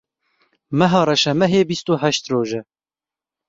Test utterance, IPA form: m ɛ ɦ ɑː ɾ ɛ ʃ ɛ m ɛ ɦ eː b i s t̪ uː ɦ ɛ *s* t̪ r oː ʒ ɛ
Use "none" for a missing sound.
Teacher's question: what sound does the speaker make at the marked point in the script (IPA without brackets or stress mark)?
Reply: ʃ